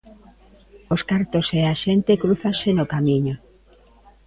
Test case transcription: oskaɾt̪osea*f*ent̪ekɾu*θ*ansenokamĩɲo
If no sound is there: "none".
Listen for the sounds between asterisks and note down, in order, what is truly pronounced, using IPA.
ʃ, θ

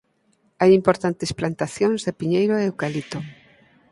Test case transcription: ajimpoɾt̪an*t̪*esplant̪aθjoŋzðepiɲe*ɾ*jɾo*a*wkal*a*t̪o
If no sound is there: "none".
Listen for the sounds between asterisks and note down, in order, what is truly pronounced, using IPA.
t̪, none, e, i

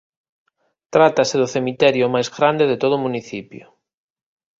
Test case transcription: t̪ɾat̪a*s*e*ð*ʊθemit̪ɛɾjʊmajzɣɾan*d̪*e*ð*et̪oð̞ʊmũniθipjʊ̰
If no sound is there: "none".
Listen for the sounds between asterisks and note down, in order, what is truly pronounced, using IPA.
s, ð, d̪, ð

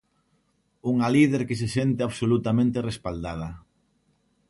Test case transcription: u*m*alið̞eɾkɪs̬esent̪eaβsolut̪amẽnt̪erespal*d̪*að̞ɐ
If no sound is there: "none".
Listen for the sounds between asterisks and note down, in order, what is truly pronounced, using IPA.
ŋ, d̪

